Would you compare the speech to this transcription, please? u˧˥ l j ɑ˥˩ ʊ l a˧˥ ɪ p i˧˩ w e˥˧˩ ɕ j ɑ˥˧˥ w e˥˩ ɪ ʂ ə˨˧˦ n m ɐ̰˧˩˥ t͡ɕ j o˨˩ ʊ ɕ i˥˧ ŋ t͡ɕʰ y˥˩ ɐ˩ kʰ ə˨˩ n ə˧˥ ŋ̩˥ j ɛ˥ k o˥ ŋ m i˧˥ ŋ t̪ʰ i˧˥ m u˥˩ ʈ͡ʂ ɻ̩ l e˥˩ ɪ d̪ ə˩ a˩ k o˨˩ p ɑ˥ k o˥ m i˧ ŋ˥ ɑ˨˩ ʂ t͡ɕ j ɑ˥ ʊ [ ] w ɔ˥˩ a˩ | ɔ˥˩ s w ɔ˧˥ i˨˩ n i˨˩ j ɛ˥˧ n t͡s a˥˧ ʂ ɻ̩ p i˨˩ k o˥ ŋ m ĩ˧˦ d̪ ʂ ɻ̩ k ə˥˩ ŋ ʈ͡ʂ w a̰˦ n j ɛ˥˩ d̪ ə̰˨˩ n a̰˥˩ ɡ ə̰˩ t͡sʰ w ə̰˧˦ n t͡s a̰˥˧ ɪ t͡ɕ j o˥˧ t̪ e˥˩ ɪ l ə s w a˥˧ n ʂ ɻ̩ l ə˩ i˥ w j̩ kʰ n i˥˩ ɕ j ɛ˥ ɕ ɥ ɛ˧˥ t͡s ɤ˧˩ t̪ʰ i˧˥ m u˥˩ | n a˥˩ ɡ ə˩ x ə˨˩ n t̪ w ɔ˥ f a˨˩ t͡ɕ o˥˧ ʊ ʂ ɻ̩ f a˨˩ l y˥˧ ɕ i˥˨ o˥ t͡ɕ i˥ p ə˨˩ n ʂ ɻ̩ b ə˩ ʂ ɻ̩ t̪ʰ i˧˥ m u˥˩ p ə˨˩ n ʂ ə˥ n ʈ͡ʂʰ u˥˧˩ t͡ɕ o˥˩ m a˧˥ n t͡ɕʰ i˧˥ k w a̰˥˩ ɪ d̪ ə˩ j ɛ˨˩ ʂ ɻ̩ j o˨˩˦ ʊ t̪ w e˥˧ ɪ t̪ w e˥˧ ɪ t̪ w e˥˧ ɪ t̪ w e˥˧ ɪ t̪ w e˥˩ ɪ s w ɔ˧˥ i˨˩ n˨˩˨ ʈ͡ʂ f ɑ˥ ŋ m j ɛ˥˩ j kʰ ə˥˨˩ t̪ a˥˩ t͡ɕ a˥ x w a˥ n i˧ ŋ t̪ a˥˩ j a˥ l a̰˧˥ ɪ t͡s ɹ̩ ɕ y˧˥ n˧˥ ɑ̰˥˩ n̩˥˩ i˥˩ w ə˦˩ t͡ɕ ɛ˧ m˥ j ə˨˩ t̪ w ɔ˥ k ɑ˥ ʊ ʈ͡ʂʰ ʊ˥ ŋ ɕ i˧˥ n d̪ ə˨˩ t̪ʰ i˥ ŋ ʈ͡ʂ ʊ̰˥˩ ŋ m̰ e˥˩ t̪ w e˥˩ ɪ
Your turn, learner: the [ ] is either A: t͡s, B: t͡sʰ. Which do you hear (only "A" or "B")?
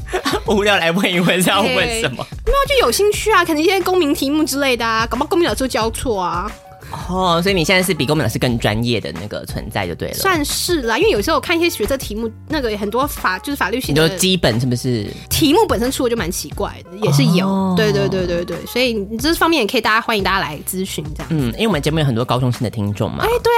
B